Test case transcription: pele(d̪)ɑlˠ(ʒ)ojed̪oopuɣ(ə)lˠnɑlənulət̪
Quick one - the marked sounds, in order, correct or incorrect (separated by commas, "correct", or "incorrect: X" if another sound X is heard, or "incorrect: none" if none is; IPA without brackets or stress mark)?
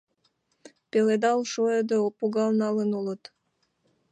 correct, incorrect: ʃ, incorrect: ɑ